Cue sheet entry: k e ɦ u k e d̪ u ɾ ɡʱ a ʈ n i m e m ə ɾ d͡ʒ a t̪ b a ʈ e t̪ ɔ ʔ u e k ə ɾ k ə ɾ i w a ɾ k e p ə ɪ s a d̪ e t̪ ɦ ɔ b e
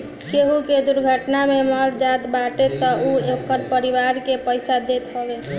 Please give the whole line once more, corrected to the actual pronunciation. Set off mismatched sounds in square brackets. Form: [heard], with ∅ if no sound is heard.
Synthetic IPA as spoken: k e ɦ u k e d̪ u ɾ ɡʱ [ə] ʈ n [a] m e m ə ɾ d͡ʒ a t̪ b a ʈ e t̪ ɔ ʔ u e k ə ɾ [p] ə ɾ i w a ɾ k e p ə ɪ s a d̪ e t̪ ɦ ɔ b e